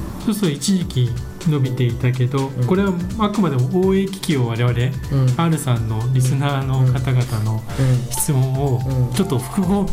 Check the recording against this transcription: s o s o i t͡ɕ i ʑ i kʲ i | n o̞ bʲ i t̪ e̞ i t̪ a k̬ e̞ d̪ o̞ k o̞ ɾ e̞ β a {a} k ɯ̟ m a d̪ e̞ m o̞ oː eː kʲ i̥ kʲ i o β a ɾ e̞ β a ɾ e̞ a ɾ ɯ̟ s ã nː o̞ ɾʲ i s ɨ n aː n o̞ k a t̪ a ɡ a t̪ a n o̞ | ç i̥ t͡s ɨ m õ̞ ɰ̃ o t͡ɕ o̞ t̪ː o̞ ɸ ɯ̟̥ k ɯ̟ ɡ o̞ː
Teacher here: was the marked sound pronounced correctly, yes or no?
yes